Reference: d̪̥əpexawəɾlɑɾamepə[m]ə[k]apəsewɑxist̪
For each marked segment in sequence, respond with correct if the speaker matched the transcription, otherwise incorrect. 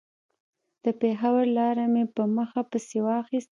correct, incorrect

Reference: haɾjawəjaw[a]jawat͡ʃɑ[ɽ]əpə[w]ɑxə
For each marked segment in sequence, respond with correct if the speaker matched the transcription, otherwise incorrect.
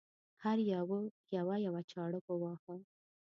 correct, correct, correct

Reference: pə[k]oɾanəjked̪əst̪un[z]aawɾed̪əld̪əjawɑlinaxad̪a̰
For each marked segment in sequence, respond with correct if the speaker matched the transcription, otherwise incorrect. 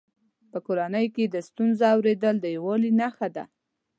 correct, correct

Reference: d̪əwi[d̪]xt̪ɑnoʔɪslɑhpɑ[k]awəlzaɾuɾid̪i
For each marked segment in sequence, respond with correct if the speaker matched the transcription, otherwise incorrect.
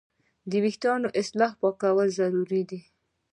incorrect, correct

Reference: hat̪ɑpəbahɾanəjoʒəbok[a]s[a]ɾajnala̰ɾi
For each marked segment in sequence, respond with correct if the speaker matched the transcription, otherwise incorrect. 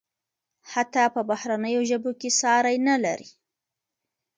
incorrect, incorrect

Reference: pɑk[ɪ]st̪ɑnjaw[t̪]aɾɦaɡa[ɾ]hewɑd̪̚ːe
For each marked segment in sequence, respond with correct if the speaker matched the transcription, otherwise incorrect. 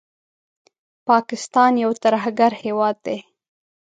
correct, correct, correct

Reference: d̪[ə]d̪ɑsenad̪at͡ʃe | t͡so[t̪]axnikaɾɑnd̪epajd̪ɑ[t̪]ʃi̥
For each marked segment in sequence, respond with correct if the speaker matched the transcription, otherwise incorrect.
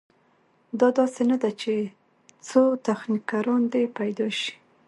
incorrect, correct, incorrect

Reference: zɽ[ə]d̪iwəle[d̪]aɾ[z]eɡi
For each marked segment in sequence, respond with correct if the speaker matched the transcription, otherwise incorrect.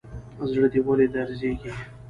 correct, correct, correct

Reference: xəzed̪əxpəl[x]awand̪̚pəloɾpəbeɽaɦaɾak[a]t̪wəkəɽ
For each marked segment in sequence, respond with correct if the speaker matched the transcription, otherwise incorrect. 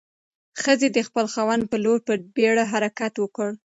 correct, correct

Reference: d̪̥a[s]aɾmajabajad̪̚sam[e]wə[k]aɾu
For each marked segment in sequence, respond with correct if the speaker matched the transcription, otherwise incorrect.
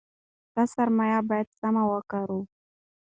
correct, incorrect, correct

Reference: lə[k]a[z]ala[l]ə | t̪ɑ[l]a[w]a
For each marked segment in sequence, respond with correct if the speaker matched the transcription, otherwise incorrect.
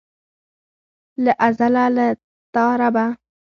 incorrect, correct, correct, incorrect, incorrect

